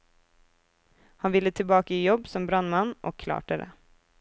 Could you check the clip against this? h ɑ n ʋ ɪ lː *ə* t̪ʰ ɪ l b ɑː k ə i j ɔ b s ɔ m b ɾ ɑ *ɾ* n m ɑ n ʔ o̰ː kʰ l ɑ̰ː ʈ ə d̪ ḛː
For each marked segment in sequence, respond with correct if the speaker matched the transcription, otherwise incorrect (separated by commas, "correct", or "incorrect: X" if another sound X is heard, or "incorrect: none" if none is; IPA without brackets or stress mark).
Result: correct, incorrect: none